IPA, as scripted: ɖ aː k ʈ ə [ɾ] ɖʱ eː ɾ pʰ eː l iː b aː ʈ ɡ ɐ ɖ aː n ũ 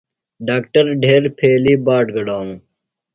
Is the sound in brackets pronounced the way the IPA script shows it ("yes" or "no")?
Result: yes